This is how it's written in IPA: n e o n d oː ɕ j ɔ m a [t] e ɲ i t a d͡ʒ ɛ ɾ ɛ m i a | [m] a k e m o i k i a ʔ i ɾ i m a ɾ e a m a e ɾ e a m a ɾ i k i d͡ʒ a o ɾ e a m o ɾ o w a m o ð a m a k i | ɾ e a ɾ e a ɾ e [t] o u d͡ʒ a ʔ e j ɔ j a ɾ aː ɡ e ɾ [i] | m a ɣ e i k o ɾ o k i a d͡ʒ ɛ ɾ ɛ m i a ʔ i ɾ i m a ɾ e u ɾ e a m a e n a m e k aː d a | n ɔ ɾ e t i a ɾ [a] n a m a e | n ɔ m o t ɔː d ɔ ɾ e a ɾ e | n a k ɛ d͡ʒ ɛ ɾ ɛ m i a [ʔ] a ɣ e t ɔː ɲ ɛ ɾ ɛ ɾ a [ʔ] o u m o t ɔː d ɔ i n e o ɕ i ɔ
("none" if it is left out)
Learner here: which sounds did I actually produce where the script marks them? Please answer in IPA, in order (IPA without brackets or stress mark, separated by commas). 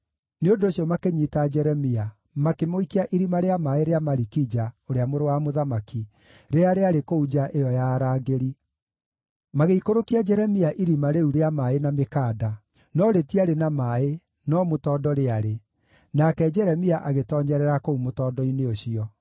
k, m, k, i, e, ʔ, k